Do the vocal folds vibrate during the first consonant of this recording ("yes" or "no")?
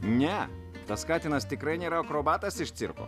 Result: yes